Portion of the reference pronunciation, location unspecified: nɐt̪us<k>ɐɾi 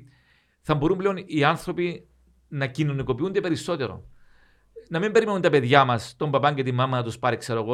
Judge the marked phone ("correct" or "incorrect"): incorrect